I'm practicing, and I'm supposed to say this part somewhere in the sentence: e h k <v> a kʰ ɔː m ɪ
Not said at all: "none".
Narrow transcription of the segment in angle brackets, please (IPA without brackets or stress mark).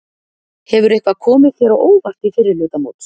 v